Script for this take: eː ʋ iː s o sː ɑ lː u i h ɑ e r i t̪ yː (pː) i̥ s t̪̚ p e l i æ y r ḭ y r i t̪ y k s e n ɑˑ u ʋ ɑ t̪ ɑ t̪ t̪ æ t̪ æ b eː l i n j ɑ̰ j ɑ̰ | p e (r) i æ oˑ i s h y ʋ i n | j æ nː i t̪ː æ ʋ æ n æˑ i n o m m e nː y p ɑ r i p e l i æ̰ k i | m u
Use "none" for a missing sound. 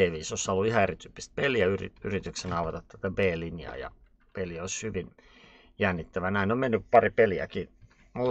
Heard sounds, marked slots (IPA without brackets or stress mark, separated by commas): pː, l